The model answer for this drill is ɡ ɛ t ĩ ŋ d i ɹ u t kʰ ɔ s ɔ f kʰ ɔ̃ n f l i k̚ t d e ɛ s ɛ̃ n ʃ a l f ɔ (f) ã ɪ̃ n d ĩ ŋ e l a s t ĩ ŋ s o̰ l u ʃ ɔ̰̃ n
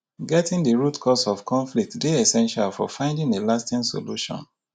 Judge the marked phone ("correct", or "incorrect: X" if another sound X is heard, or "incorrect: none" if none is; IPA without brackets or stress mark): correct